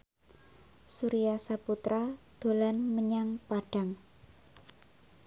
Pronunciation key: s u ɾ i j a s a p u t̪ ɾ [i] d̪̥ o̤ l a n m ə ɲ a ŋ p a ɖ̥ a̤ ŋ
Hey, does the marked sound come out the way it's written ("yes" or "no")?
no